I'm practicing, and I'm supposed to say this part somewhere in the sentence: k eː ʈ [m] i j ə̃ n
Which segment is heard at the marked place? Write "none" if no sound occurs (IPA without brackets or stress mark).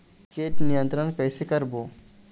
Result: n